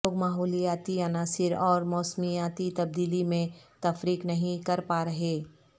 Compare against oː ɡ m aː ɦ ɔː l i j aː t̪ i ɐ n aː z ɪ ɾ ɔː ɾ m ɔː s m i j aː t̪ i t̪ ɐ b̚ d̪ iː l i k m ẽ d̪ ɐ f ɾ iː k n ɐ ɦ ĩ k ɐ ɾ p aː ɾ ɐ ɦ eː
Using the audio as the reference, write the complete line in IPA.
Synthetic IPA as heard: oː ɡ m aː ɦ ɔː l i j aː t̪ i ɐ n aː s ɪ ɾ ɔː ɾ m ɔː s m i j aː t̪ i t̪ ɐ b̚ d̪ iː l i m ẽ t̪ ɐ f ɾ iː k n ɐ ɦ ĩ k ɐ ɾ p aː ɾ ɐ ɦ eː

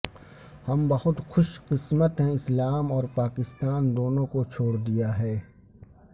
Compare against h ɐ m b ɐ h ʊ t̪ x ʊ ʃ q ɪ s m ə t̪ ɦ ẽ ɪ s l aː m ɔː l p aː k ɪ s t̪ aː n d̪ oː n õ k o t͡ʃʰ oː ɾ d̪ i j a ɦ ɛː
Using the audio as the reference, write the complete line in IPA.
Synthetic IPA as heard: h ɐ m b ɐ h ʊ t̪ x ʊ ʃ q ɪ s m ə t̪ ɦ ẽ ɪ s l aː m ɔː ɾ p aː k ɪ s t̪ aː n d̪ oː n õ k o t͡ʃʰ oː ɽ d̪ i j a ɦ ɛː

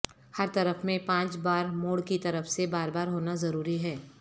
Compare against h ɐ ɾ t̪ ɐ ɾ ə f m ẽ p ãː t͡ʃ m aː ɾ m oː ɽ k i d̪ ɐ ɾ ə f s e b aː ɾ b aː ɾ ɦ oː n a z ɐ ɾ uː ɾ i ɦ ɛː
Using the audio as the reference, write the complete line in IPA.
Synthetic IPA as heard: h ɐ ɾ t̪ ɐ ɾ ə f m ẽ p ãː t͡ʃ b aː ɾ m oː ɽ k i t̪ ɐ ɾ ə f s e b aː ɾ b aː ɾ ɦ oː n a z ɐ ɾ uː ɾ i ɦ ɛː

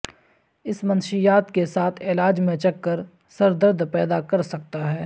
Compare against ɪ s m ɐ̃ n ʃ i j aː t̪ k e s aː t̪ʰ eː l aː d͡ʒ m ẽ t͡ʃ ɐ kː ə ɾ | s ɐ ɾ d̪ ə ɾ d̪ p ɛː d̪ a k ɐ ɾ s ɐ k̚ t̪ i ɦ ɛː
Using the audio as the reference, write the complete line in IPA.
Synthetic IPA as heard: ɪ s m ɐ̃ n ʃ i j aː t̪ k e s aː t̪ʰ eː l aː d͡ʒ m ẽ t͡ʃ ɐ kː ə ɾ | s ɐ ɾ d̪ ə ɾ d̪ p ɛː d̪ a k ɐ ɾ s ɐ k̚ t̪ a ɦ ɛː

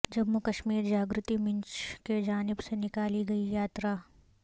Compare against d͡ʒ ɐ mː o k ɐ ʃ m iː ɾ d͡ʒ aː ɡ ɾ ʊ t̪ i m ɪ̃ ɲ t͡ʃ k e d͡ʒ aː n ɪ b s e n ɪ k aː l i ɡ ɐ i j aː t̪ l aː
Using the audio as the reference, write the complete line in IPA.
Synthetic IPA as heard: d͡ʒ ɐ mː u k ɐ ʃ m iː ɾ d͡ʒ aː ɡ ɾ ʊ t̪ i m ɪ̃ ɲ t͡ʃ k e d͡ʒ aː n ɪ b s e n ɪ k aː l i ɡ ɐ i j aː t̪ ɾ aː

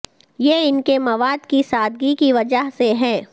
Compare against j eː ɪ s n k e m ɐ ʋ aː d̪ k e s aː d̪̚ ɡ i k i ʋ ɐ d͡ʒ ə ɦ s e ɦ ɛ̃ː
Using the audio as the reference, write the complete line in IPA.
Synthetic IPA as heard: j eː ɪ n k e m ɐ ʋ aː d̪ k i s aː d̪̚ ɡ i k i ʋ ɐ d͡ʒ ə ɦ s e ɦ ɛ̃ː

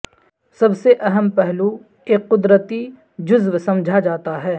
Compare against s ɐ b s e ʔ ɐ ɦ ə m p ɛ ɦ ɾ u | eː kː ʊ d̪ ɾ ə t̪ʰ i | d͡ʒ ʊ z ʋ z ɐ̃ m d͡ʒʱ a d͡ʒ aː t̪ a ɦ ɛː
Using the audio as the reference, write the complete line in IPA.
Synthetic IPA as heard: s ɐ b s e ʔ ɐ ɦ ə m p ɛ ɦ l u | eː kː ʊ d̪ ɾ ə t̪ i | d͡ʒ ʊ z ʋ s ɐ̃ m d͡ʒʱ a d͡ʒ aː t̪ a ɦ ɛː

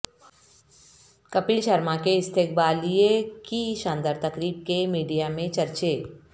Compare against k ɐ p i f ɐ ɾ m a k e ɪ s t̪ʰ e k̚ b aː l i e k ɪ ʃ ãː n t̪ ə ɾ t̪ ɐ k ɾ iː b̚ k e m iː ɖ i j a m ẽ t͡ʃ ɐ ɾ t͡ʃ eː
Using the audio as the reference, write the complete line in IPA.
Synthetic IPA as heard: k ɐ p i ʃ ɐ ɾ m a k e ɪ s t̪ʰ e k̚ b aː l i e k i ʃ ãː n d̪ ə ɾ t̪ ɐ k ɾ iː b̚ k e m iː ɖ i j a m ẽ t͡ʃ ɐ ɾ t͡ʃ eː

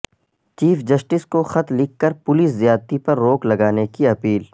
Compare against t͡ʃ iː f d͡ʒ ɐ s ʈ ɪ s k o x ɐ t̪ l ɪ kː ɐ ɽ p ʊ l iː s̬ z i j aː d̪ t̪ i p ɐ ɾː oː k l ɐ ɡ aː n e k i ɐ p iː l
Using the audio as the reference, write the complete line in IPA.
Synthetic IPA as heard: t͡ʃ iː f d͡ʒ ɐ s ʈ ɪ s k o x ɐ t̪ l ɪ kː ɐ ɾ p ʊ l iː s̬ z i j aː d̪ t̪ i p ɐ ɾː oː k l ɐ ɡ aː n e k i ɐ p iː l

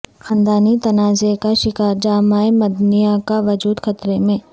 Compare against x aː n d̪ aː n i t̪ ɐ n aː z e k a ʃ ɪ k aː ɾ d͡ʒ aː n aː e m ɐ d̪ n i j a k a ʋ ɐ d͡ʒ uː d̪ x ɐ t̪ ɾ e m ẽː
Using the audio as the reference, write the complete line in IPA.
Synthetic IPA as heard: x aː n d̪ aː n i t̪ ɐ n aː z e k a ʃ ɪ k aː ɾ d͡ʒ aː m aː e m ɐ d̪ n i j a k a ʋ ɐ d͡ʒ uː d̪ x ɐ t̪ ɾ e m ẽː

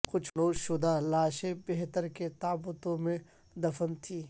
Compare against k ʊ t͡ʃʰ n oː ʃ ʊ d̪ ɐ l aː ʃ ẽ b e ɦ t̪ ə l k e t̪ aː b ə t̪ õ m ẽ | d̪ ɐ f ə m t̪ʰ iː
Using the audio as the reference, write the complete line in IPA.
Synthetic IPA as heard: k ʊ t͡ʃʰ n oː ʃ ʊ d̪ a l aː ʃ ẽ b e ɦ t̪ ə ɾ k e t̪ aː b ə t̪ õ m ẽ | d̪ ɐ f ə n t̪ʰ iː

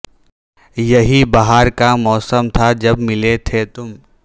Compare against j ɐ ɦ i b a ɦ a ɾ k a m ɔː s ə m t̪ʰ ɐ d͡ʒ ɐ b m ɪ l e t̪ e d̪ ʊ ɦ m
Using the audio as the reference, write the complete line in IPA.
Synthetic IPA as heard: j ɐ ɦ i b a ɦ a ɾ k a m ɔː s ə m t̪ʰ a d͡ʒ ɐ b m ɪ l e t̪ʰ e t̪ ʊ m

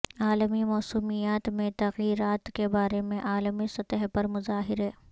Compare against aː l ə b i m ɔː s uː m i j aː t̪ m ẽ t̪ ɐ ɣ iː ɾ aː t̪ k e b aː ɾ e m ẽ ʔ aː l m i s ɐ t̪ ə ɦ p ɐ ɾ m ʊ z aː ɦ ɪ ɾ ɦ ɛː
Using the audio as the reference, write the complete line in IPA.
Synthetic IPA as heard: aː l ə m i m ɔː s uː m i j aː t̪ m ẽ t̪ ɐ ɣ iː ɾ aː t̪ k e b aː ɾ e m ẽ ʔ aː l m i s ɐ t̪ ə ɦ p ɐ ɾ m ʊ z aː ɦ ɪ ɾ ɦ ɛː

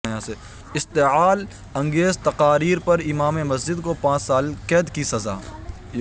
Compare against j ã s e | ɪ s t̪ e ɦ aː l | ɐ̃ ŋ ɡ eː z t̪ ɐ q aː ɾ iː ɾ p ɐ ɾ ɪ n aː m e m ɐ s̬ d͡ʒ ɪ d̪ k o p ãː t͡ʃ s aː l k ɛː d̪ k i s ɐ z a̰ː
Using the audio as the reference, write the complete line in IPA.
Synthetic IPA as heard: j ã s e | ɪ s t̪ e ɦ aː l | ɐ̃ ŋ ɡ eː z t̪ ɐ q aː ɾ iː ɾ p ɐ ɾ ɪ m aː m e m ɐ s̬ d͡ʒ ɪ d̪ k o p ãː t͡ʃ s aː l k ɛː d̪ k i s ɐ z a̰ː

